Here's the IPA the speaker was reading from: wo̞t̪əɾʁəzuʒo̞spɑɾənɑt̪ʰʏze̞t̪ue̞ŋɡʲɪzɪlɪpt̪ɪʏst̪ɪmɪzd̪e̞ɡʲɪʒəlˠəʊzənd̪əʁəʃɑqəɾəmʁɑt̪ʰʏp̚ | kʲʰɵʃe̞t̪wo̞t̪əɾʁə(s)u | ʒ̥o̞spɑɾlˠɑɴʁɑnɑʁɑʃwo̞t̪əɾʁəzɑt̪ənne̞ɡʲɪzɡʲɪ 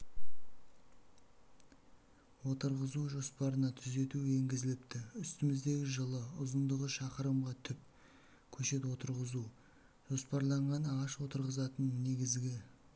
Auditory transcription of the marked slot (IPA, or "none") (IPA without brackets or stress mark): z